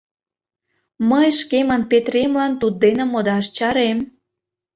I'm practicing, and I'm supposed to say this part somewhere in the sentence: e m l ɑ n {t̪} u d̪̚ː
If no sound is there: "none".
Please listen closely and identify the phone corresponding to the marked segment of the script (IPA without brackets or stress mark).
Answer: t̪